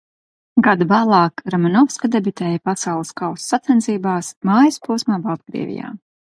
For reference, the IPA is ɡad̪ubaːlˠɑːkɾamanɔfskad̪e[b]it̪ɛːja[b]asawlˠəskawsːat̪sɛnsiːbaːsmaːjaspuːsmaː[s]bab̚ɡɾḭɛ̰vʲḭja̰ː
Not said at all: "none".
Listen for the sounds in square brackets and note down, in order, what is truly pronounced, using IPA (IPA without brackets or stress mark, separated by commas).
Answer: b, p, none